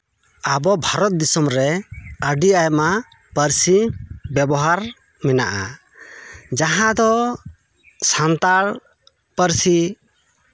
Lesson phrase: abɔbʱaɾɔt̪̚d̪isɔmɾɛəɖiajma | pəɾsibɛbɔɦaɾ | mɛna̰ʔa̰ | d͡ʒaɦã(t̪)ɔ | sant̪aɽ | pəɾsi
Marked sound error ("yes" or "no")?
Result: yes